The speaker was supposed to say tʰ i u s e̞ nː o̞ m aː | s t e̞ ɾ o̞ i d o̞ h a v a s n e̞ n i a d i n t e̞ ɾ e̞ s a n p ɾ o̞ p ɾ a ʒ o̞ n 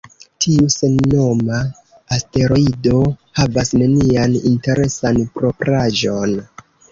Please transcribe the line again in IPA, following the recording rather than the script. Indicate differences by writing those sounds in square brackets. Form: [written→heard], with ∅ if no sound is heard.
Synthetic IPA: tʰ i u s e̞ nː o̞ m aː | s t e̞ ɾ o̞ i d o̞ h a v a s n e̞ n i a [d→n] i n t e̞ ɾ e̞ s a n p ɾ o̞ p ɾ a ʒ o̞ n